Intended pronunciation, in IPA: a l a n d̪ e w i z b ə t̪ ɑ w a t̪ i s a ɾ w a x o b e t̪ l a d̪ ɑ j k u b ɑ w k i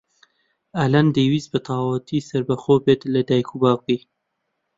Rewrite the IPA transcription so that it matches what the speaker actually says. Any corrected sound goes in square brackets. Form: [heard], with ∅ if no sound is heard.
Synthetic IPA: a l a n d̪ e w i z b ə t̪ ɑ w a t̪ i s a ɾ [b] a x o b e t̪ l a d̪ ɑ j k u b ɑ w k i